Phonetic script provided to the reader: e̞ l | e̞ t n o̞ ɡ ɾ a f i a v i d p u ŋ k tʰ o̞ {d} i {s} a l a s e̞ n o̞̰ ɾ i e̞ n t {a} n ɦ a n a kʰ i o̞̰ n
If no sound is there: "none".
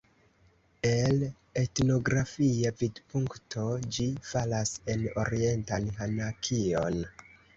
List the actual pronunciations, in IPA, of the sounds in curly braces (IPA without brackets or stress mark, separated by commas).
d͡ʒ, f, a